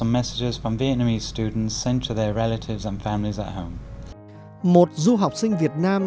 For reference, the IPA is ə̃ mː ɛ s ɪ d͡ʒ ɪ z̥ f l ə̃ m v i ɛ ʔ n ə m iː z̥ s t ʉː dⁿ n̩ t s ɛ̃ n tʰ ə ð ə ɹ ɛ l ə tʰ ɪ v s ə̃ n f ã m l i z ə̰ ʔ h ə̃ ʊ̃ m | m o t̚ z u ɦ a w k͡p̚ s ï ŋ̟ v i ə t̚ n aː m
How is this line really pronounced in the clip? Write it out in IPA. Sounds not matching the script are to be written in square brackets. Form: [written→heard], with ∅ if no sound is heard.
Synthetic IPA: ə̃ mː ɛ s ɪ d͡ʒ ɪ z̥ f [l→ɹ] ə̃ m v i ɛ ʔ n ə m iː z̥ s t ʉː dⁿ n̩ t s ɛ̃ n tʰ ə ð ə ɹ ɛ l ə tʰ ɪ v [s→z] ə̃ n f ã m l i z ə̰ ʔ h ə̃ ʊ̃ m | m o t̚ z u ɦ a w k͡p̚ s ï ŋ̟ v i ə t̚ n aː m